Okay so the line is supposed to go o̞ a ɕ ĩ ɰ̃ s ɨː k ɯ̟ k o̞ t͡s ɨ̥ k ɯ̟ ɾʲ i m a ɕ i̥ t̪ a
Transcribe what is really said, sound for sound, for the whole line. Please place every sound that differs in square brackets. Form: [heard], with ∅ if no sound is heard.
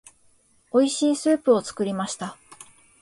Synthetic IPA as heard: o̞ [i] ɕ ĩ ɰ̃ s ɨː [p] ɯ̟ [∅] o̞ t͡s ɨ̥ k ɯ̟ ɾʲ i m a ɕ i̥ t̪ a

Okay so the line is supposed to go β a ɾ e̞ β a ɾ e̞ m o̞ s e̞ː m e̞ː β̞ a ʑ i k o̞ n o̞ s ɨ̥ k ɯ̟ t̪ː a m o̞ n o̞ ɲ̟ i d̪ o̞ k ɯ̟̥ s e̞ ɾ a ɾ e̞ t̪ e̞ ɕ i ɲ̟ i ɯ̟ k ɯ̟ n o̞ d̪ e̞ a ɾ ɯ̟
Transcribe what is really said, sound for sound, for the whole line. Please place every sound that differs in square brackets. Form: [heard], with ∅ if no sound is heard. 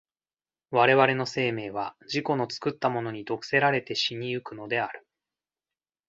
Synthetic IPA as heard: β a ɾ e̞ β a ɾ e̞ [n] o̞ s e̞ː m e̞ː β̞ a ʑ i k o̞ n o̞ [t͡s] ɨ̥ k ɯ̟ t̪ː a m o̞ n o̞ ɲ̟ i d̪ o̞ k ɯ̟̥ s e̞ ɾ a ɾ e̞ t̪ e̞ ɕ i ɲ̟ i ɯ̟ k ɯ̟ n o̞ d̪ e̞ a ɾ ɯ̟

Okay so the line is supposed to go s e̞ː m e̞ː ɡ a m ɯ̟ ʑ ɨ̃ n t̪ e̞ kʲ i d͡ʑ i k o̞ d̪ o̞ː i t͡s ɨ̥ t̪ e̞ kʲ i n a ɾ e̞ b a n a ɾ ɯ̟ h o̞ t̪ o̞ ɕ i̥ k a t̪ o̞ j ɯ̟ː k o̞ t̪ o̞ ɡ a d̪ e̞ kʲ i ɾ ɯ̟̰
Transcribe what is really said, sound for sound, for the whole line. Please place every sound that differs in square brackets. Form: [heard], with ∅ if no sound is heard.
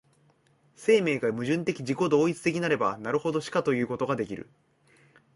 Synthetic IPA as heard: s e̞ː m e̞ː ɡ a m ɯ̟ ʑ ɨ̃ n t̪ e̞ kʲ i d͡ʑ i k o̞ d̪ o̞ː i t͡s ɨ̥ t̪ e̞ kʲ i n a ɾ e̞ b a n a ɾ ɯ̟ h o̞ [d̪] o̞ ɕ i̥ k a t̪ o̞ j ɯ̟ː k o̞ t̪ o̞ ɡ a d̪ e̞ kʲ i ɾ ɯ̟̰

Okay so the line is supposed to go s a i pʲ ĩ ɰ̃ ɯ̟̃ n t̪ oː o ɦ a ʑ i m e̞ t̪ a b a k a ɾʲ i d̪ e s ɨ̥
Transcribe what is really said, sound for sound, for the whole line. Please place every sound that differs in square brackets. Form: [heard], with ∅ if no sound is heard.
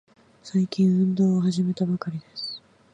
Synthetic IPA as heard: s a i [kʲ] ĩ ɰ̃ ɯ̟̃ n [d̪] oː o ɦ a ʑ i m e̞ t̪ a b a k a ɾʲ i d̪ e s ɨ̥

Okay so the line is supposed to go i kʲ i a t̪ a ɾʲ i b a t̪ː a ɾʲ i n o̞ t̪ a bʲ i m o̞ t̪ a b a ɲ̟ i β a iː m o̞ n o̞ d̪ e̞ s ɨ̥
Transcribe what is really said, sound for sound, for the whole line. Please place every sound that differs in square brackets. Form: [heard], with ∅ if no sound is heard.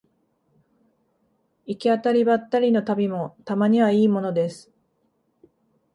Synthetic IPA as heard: i kʲ i a t̪ a ɾʲ i b a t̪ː a ɾʲ i n o̞ t̪ a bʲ i m o̞ t̪ a [m] a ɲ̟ i β a iː m o̞ n o̞ d̪ e̞ s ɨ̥

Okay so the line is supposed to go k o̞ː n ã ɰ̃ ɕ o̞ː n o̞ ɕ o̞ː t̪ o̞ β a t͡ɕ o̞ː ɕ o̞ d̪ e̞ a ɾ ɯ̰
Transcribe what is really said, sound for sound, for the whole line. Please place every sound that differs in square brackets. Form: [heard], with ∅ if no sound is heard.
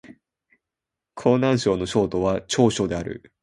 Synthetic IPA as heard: [kʰ] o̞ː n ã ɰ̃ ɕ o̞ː n o̞ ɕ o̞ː t̪ o̞ β a t͡ɕ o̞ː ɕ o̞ d̪ e̞ a ɾ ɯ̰

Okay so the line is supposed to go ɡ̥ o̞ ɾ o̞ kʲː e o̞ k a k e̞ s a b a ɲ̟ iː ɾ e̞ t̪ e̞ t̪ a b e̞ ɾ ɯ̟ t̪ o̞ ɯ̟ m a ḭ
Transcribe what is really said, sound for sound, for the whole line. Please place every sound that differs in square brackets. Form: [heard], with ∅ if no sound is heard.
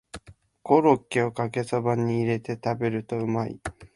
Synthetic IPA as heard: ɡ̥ o̞ ɾ o̞ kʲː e o̞ k a k e̞ s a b a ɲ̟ iː ɾ e̞ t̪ e̞ t̪ a b e̞ ɾ ɯ̟ t̪ o̞ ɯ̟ m a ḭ

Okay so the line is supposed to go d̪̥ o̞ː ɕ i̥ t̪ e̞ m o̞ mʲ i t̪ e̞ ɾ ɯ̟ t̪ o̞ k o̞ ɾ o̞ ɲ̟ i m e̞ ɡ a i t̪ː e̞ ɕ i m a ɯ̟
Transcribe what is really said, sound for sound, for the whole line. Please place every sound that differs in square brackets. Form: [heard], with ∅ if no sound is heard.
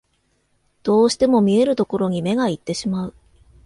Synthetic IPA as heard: d̪̥ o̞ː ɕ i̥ t̪ e̞ m o̞ mʲ i [∅] e̞ ɾ ɯ̟ t̪ o̞ k o̞ ɾ o̞ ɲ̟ i m e̞ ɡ a i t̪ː e̞ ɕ i m a ɯ̟

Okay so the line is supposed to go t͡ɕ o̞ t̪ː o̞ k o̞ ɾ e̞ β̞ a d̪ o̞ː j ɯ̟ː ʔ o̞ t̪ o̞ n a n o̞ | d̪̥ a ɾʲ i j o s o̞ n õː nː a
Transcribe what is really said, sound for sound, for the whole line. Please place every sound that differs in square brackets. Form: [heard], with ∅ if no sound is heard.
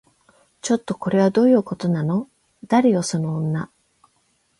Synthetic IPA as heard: t͡ɕ o̞ t̪ː o̞ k o̞ ɾ e̞ β̞ a d̪ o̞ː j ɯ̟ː [k] o̞ t̪ o̞ n a n o̞ | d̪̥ a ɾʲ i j o s o̞ n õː nː a

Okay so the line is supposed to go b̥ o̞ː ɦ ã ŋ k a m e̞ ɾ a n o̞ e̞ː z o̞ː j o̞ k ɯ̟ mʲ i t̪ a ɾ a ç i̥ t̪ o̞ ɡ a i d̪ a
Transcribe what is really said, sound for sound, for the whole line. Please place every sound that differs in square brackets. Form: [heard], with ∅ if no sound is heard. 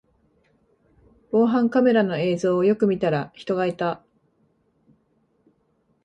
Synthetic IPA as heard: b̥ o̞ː ɦ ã ŋ k a m e̞ ɾ a n o̞ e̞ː z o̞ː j o̞ k ɯ̟ mʲ i t̪ a ɾ a ç i̥ t̪ o̞ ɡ a i [t̪] a

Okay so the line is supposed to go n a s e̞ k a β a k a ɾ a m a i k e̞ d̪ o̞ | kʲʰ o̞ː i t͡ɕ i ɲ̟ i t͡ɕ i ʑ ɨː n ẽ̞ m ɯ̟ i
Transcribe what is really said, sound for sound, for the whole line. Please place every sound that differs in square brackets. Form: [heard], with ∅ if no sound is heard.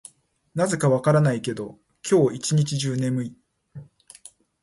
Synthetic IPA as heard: n a [z] e̞ k a β a k a ɾ a [n] a i k e̞ d̪ o̞ | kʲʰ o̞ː i t͡ɕ i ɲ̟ i t͡ɕ i ʑ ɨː n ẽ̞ m ɯ̟ i

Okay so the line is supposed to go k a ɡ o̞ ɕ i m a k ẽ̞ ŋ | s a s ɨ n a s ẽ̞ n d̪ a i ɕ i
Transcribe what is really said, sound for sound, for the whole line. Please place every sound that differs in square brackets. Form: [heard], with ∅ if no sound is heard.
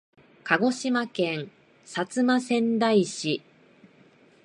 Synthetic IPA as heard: k a ɡ o̞ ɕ i m a k ẽ̞ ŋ | s a [t͡s] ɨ [m] a s ẽ̞ n d̪ a i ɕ i

